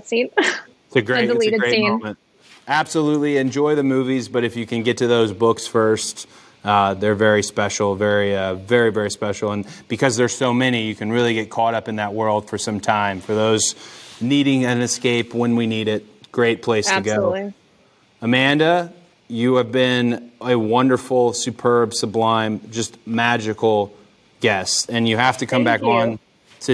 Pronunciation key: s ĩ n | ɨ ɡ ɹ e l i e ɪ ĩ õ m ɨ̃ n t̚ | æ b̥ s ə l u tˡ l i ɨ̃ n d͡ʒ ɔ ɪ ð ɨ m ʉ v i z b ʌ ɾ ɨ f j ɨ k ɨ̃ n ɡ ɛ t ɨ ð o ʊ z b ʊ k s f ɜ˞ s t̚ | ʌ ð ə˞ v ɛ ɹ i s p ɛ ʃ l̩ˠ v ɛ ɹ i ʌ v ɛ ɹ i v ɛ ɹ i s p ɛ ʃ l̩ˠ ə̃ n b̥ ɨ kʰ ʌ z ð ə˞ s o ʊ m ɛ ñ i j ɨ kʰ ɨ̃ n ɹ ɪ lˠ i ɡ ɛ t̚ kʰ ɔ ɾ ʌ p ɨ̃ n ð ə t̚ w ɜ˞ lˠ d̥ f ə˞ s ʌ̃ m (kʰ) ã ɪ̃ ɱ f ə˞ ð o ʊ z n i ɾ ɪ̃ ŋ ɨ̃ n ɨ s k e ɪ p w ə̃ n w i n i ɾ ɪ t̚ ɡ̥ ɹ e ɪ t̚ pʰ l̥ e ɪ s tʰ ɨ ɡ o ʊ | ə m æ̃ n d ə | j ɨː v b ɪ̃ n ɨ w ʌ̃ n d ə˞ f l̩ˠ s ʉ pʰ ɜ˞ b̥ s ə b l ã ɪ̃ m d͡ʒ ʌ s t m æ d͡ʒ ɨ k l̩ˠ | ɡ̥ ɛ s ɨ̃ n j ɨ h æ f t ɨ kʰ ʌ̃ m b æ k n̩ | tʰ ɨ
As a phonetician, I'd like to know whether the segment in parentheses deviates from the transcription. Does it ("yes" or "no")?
yes